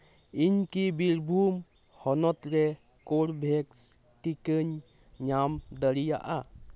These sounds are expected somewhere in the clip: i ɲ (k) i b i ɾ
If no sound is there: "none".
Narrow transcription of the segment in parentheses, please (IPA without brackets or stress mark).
k